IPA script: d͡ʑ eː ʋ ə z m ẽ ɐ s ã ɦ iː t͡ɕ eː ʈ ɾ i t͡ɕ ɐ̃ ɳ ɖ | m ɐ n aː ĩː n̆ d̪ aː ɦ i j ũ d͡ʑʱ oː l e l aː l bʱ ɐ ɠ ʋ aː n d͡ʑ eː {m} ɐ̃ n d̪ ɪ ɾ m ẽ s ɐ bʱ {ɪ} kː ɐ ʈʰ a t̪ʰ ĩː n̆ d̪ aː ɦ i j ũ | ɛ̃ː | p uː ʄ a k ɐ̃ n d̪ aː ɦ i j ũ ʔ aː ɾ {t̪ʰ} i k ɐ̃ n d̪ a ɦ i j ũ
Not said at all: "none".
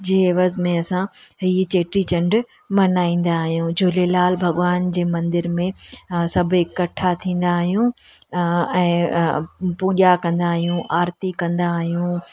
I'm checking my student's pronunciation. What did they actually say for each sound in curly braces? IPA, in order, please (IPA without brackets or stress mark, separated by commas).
m, ɪ, t̪